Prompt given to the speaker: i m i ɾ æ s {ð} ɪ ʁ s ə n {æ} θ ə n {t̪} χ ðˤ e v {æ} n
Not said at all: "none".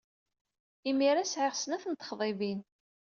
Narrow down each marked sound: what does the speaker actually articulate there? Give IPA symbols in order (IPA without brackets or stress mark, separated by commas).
ʕ, æ, t̪, i